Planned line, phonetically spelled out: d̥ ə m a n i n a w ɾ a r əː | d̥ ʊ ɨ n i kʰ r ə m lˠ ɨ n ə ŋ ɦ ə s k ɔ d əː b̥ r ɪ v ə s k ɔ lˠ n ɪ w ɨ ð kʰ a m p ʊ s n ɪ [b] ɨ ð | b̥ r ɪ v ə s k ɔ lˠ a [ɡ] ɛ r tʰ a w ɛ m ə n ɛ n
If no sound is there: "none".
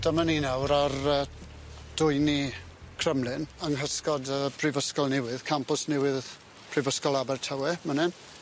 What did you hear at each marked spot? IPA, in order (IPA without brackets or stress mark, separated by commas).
w, b